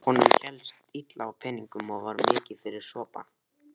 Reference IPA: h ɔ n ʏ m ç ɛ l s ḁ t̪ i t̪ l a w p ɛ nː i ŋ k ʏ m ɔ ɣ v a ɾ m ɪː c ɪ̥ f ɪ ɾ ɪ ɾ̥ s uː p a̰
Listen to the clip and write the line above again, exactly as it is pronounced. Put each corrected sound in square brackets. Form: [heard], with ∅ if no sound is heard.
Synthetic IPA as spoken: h ɔ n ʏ m ç ɛ l s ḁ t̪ i t̪ l a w [pʰ] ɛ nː i ŋ k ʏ m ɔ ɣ v a ɾ m ɪː c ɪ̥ f ɪ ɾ ɪ ɾ̥ s [ɔː] p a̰